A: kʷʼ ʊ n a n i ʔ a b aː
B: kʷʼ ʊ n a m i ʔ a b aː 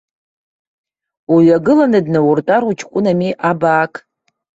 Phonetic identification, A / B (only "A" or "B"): B